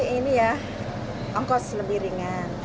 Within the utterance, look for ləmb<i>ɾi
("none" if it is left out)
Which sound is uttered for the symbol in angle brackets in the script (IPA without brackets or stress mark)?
i